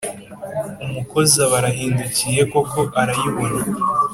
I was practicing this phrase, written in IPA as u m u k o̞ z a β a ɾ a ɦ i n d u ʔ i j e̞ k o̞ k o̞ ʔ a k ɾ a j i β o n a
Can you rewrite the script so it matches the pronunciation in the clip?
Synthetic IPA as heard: u m u k o̞ z a β a ɾ a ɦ iː n d u c i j e̞ k o̞ k o̞ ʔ a ɾ a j i β o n a